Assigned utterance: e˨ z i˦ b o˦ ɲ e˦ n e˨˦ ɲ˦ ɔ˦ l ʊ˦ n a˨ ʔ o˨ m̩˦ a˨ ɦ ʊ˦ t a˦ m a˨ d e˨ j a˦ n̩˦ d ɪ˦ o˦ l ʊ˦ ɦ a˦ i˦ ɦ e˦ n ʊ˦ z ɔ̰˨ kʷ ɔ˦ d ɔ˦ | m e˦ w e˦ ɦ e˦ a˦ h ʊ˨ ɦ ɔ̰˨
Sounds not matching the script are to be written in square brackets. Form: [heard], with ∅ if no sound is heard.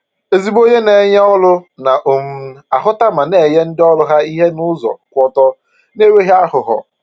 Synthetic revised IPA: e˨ z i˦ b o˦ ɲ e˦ n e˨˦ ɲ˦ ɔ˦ l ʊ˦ n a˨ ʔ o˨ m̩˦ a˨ ɦ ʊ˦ t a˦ m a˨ [n] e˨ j [e˦] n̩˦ d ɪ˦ [ɔ˦] l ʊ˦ ɦ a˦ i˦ ɦ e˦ n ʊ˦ z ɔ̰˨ kʷ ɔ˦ [t] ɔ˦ | [n] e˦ w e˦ ɦ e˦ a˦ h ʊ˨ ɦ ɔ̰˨